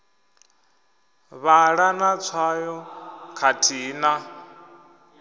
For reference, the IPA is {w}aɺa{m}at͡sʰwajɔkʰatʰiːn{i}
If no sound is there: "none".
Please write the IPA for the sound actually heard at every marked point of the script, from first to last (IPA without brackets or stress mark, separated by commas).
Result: β, n, a